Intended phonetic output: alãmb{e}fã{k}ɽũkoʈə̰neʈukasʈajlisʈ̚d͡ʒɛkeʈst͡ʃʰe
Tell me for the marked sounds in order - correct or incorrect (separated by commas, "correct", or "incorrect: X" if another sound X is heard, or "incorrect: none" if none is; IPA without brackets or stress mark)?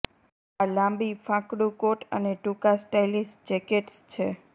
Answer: incorrect: i, correct